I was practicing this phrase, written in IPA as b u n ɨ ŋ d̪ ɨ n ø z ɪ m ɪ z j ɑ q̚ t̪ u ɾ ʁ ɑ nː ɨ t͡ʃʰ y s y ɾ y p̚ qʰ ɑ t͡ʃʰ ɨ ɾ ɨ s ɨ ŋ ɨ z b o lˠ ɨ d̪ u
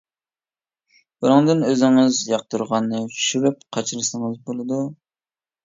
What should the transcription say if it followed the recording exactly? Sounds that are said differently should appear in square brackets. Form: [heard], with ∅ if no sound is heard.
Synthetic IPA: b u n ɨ ŋ d̪ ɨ n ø z ɪ [ŋ] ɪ z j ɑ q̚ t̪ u ɾ ʁ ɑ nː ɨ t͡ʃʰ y [ʃ] y ɾ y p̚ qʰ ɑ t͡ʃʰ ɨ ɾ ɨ s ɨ ŋ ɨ z b o lˠ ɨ d̪ u